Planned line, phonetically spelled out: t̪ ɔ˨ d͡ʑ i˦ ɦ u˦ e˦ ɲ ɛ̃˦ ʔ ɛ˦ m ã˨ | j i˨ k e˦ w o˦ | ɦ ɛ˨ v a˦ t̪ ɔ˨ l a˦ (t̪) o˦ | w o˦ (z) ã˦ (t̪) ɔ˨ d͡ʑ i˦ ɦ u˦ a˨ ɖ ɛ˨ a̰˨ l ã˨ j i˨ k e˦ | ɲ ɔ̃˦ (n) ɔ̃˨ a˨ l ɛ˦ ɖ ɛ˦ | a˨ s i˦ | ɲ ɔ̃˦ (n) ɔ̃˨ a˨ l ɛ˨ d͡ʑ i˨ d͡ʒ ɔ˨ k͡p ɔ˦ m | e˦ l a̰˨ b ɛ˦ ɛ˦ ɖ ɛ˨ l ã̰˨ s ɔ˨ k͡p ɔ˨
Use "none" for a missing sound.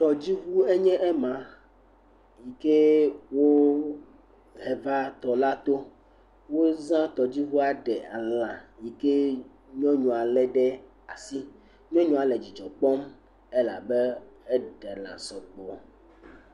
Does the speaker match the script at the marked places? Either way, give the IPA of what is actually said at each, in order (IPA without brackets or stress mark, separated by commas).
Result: t̪, z, t̪, ɲ, ɲ